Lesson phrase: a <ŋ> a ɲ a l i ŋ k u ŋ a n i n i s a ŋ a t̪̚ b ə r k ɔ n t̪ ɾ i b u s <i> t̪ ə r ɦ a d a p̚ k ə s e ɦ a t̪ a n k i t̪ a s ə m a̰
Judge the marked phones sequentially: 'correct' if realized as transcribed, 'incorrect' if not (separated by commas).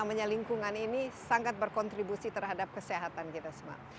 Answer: incorrect, correct